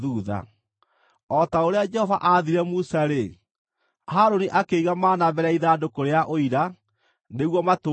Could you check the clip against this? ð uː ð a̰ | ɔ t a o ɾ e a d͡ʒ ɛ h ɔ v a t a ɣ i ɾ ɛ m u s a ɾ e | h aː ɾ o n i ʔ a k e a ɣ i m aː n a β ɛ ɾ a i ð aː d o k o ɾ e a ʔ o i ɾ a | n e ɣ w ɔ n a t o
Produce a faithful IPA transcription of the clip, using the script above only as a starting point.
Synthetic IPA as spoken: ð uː ð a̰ | ɔ t a o ɾ e a d͡ʒ ɛ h ɔ v a ʔ a ð i ɾ ɛ m u s a ɾ e | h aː ɾ o n i ʔ a k e i ɣ a m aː n a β ɛ ɾ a i ð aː d o k o ɾ e a ʔ o i ɾ a | n e ɣ w ɔ m a t o

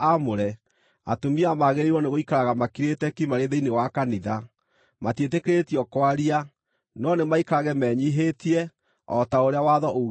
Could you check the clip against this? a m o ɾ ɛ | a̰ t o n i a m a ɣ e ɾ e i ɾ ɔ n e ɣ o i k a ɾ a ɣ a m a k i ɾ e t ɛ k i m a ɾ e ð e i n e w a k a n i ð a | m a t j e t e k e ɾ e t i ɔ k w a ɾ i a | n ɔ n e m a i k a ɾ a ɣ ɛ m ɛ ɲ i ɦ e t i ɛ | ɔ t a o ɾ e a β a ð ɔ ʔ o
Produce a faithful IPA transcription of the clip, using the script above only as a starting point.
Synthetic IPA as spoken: a m o ɾ ɛ | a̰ t o m i a m a ɣ e ɾ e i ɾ ɔ n e ɣ o i k a ɾ a ɣ a m a k i ɾ e t ɛ k i m a ɾ e ð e i n e w a k a n i ð a | m a t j e t e k e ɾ e t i ɔ k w a ɾ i a | n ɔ n e m a i k a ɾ a ɣ ɛ m ɛ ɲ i ɦ e t i ɛ | ɔ t a o ɾ e a w a ð ɔ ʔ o

